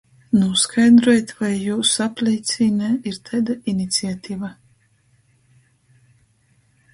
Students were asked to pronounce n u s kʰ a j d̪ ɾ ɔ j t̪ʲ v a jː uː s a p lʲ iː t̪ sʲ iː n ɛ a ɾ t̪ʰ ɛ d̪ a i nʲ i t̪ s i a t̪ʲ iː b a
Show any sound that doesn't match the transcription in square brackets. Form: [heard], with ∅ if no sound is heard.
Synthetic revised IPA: n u s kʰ a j d̪ ɾ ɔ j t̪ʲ v a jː uː s a p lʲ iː t̪ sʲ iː n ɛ [i] ɾ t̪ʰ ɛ d̪ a i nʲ i t̪ s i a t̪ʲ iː [v] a